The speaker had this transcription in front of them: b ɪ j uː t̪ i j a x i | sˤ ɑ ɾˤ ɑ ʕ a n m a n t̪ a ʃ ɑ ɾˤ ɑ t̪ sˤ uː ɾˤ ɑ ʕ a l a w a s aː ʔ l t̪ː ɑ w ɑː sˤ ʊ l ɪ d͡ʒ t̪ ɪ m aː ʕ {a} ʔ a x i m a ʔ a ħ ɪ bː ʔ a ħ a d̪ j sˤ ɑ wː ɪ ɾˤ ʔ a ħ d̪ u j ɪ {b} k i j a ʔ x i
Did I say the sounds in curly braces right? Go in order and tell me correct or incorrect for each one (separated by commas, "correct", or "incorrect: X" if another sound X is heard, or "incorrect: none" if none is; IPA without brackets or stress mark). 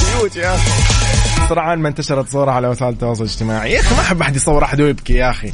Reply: incorrect: i, correct